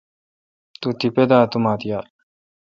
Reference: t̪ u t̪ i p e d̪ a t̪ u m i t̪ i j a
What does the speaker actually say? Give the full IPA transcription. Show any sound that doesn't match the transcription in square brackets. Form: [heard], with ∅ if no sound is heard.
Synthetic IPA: t̪ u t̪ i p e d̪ a t̪ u m [a] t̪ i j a